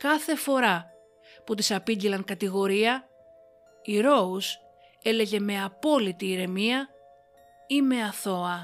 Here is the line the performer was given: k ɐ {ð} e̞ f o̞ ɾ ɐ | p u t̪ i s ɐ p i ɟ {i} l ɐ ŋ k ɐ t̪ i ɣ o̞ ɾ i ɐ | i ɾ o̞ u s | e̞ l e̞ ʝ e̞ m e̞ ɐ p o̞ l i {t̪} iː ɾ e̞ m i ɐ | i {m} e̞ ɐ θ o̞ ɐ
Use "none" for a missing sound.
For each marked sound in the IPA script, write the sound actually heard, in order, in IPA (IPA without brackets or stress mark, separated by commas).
θ, i, t̪, m